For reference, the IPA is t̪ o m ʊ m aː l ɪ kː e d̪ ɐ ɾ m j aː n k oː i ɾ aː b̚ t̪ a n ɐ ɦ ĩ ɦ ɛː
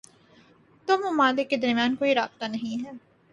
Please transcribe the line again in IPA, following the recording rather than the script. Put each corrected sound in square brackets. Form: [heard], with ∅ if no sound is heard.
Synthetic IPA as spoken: t̪ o m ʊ m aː l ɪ kː e d̪ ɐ ɾ m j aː n k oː i ɾ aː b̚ t̪ a n ɐ ɦ ĩ ɦ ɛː